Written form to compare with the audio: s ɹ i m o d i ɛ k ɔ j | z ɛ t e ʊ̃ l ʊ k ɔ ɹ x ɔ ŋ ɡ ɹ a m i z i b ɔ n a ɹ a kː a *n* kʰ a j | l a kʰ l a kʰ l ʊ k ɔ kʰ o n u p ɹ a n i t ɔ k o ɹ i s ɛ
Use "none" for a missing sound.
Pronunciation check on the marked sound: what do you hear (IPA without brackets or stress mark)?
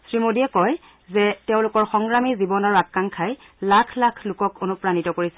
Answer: ŋ